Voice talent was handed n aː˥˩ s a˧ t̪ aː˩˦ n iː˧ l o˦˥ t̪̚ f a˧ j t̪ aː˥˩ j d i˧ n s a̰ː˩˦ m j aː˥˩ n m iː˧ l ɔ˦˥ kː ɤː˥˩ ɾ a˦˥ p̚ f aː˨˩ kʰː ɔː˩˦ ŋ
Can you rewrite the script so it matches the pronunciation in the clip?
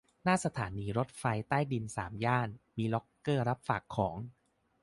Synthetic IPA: n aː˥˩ s a˧ t̪ʰ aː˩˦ n iː˧ ɾ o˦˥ t̪̚ f a˧ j t̪ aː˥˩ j d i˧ n s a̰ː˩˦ m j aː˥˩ n m iː˧ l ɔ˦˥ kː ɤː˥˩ ɾ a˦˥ p̚ f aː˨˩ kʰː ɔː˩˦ ŋ

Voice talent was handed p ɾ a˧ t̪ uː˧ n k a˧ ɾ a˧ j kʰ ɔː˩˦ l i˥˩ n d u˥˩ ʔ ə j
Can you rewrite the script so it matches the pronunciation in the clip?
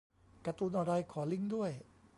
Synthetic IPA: k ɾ a˧ t̪ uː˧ n ʔ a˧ ɾ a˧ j kʰ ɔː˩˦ l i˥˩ ŋ d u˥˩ ə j

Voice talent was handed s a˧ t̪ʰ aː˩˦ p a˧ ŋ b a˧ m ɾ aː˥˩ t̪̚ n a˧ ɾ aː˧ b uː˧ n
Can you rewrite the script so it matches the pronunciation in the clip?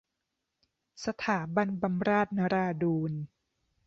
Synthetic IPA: s a˧ t̪ʰ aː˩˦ b a˧ n b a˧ m ɾ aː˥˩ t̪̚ n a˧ ɾ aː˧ d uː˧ n

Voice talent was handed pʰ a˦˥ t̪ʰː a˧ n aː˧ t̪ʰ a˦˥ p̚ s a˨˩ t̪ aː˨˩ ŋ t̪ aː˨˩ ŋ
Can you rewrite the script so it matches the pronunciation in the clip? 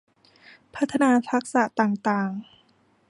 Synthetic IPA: pʰ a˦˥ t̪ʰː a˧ n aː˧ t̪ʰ a˦˥ k̚ s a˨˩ t̪ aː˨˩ ŋ t̪ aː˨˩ ŋ

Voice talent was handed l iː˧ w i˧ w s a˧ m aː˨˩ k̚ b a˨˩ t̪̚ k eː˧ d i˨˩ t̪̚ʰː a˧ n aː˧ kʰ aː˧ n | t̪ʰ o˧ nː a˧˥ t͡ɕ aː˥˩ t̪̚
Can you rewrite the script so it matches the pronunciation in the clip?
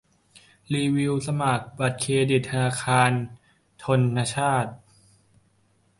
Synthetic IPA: l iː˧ w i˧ w s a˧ m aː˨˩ k̚ b a˨˩ t̪̚ kʰ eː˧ d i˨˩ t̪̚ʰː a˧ n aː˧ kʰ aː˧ n | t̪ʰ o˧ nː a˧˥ t͡ɕʰ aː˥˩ t̪̚

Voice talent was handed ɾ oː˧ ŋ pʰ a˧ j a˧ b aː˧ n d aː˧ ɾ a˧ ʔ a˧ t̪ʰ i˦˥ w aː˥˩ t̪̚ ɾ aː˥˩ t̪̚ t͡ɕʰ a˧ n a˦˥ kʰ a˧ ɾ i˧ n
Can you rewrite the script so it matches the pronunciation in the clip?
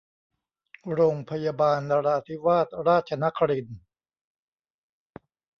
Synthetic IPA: ɾ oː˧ ŋ pʰ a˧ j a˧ b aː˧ n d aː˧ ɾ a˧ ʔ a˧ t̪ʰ i˦˥ w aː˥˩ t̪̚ ɾ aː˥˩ t̪̚ t͡ɕʰ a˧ n a˦˥ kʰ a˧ ɾ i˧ n

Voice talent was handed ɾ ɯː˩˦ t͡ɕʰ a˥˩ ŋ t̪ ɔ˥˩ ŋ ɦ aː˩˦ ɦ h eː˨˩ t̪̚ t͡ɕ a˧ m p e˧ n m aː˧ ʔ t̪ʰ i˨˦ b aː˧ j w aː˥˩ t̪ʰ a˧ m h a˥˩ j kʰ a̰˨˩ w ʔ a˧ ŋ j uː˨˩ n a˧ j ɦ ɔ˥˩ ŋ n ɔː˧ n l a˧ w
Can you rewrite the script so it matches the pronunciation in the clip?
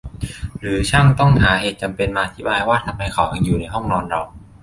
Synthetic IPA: ɾ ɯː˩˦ t͡ɕʰ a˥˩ ŋ t̪ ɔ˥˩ ŋ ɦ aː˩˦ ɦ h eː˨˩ t̪̚ t͡ɕ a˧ m p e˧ n m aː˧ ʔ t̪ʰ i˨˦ b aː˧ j w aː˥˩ t̪ʰ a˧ m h a˧ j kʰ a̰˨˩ w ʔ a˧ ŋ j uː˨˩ n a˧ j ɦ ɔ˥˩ ŋ n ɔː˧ n ɾ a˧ w

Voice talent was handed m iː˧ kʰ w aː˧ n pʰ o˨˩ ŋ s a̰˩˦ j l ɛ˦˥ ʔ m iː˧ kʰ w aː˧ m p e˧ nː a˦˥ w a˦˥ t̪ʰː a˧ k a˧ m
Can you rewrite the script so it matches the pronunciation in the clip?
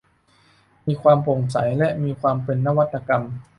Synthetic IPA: m iː˧ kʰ w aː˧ m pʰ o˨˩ ŋ s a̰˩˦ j l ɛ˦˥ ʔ m iː˧ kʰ w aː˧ m p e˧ nː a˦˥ w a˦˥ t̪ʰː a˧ k a˧ m

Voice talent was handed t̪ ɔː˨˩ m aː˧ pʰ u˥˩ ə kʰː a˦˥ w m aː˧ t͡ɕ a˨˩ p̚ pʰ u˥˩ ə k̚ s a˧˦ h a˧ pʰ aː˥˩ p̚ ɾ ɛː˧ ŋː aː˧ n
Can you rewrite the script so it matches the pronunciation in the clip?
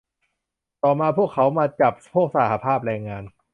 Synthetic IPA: t̪ ɔː˨˩ m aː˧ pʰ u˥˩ ə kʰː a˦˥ w m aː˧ t͡ɕ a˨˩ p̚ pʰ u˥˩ ə k̚ s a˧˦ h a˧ pʰ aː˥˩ p̚ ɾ ɛː˧ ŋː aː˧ n

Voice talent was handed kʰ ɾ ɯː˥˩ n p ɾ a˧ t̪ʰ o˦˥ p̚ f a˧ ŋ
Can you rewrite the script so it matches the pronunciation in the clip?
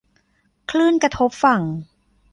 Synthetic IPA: kʰ l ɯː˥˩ n k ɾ a˧ t̪ʰ o˦˥ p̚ f a˨˩ ŋ

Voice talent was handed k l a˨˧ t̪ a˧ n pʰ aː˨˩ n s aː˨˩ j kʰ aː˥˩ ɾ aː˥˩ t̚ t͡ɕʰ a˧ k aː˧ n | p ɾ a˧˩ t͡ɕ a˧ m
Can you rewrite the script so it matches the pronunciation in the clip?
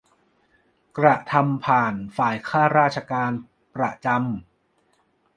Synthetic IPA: k ɾ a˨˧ t̪ʰ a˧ m pʰ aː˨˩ n f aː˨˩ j kʰ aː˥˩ ɾ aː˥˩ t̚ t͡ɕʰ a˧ k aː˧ n | p ɾ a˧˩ t͡ɕ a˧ m

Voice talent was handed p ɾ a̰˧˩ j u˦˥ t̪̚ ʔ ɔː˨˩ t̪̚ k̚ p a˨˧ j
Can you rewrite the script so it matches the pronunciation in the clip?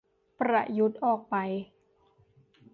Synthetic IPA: p ɾ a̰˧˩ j u˦˥ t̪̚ ʔ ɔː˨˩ k̚ p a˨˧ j

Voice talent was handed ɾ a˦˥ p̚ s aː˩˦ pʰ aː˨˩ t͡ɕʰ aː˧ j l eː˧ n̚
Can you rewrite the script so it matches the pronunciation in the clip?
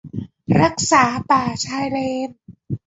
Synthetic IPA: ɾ a˦˥ k̚ s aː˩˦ p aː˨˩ t͡ɕʰ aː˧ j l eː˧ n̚

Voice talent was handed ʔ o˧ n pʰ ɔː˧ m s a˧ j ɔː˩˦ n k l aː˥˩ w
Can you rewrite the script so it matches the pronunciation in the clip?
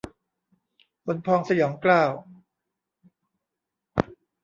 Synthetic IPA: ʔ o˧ n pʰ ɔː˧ ŋ s a˧ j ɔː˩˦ ŋ k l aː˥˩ w

